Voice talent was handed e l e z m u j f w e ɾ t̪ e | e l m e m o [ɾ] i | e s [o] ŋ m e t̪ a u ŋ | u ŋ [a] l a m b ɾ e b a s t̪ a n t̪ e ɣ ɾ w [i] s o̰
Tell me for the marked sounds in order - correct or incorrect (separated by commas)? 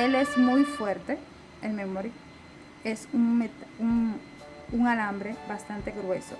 correct, incorrect, correct, incorrect